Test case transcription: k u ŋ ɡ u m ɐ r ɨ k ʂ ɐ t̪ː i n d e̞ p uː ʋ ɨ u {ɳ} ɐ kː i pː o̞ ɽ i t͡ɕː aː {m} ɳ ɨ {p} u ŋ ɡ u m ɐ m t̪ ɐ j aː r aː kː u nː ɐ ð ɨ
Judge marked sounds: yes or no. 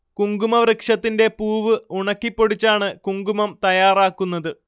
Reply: yes, no, no

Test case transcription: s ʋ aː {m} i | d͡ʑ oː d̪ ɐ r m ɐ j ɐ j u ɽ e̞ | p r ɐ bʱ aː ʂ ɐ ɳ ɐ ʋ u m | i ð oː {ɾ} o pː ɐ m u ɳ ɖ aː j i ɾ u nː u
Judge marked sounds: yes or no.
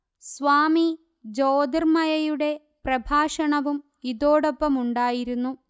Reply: yes, no

